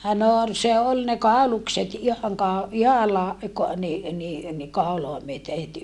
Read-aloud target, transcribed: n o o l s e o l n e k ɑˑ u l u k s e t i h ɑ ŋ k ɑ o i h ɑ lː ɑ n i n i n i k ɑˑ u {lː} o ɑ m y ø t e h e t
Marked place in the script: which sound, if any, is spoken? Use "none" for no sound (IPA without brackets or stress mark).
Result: l